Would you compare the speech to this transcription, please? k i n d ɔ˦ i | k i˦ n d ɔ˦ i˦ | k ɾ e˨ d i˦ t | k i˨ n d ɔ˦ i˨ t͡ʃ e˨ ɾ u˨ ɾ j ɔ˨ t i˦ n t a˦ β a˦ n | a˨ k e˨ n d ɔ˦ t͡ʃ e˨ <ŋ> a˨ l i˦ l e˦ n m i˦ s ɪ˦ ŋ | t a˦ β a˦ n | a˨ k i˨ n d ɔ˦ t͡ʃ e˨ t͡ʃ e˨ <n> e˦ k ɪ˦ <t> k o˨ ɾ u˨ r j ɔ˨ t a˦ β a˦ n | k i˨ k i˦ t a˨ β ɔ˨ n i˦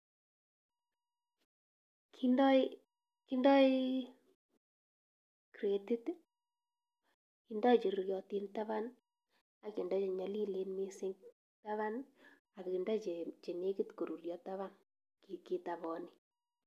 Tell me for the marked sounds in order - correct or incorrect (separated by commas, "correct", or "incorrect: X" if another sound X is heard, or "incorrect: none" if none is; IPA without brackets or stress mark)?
incorrect: ɲ, correct, correct